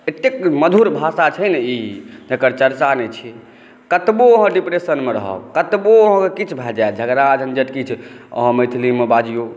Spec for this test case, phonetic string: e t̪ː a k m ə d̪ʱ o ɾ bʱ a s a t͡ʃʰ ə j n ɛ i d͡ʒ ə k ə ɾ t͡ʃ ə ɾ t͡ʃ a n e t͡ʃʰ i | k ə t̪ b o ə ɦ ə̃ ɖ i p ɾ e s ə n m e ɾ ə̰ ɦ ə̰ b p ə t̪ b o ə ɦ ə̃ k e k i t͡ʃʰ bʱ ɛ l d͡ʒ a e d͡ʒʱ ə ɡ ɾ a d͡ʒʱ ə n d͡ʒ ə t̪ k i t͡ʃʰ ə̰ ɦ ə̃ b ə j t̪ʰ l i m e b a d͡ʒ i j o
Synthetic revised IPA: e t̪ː e k m ə d̪ʱ u ɾ bʱ a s a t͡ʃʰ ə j n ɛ i d͡ʒ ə k ə ɾ t͡ʃ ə ɾ t͡ʃ a n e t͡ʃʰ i | k ə t̪ b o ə ɦ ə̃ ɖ i p ɾ e s ə n m e ɾ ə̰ ɦ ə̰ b k ə t̪ b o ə ɦ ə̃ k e k i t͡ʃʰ bʱ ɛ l d͡ʒ a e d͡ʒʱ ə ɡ ɾ a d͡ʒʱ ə n d͡ʒ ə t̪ k i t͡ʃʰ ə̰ ɦ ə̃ m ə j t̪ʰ l i m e b a d͡ʒ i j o